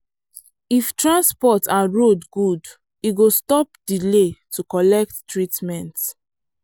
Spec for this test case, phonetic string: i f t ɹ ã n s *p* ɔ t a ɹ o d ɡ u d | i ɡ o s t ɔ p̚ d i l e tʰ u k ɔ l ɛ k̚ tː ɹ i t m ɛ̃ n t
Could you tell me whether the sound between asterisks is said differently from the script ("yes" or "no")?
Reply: no